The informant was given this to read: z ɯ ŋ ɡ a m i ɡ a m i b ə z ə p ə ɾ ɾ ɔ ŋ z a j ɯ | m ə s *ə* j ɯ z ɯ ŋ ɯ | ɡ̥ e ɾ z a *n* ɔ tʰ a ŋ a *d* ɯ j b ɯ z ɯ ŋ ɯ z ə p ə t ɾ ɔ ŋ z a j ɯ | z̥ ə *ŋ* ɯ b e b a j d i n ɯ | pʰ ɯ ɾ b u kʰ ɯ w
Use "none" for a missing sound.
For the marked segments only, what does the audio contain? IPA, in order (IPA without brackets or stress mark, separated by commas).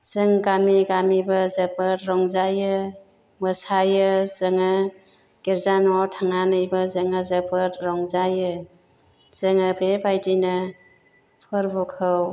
a, n, n, ŋ